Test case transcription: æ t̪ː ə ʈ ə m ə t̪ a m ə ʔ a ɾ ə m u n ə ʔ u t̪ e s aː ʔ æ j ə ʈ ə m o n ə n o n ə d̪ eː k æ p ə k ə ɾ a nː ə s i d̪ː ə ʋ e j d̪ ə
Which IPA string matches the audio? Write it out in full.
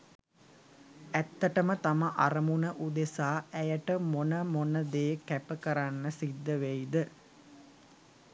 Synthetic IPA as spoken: æ t̪ː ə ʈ ə m ə t̪ a m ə ʔ a ɾ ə m u n ə ʔ u d̪ e s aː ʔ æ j ə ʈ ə m o n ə m o n ə d̪ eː k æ p ə k ə ɾ a nː ə s i d̪ː ə ʋ e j d̪ ə